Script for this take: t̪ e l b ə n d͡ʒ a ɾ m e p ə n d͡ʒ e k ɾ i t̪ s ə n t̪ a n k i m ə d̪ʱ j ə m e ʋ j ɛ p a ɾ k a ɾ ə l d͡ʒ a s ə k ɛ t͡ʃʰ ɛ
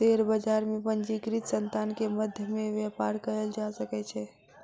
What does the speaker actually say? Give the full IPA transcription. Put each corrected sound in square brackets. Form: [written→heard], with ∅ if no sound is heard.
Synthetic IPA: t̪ e [l→ɾ] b ə [n→∅] d͡ʒ a ɾ m e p ə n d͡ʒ [e→i] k ɾ i t̪ s ə n t̪ a n k [i→e] m ə d̪ʱ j ə m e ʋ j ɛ p a ɾ k [a→ə] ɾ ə l d͡ʒ a s ə k ɛ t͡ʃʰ ɛ